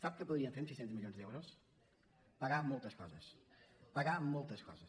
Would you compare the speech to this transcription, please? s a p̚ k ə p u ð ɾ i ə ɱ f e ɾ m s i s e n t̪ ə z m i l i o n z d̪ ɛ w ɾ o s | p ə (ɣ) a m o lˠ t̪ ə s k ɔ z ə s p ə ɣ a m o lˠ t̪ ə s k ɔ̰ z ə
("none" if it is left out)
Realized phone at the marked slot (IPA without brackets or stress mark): ɣ